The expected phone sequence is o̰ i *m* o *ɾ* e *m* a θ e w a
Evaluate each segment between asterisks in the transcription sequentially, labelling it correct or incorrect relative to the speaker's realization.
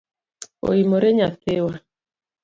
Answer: correct, correct, incorrect: ɲ

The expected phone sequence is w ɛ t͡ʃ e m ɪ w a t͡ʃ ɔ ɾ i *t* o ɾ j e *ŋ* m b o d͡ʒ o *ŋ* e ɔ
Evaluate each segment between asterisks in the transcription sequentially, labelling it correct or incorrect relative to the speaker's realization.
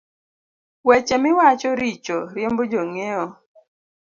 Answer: incorrect: t͡ʃ, incorrect: none, correct

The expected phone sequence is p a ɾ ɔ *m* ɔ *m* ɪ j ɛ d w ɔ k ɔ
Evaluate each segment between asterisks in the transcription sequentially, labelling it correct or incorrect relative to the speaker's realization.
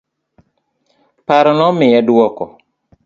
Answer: incorrect: n, correct

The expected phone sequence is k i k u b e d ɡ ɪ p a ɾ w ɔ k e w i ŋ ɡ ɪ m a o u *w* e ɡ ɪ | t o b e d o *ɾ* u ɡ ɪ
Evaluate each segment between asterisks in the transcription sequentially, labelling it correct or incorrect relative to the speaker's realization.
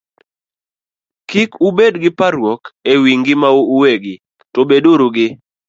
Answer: correct, correct

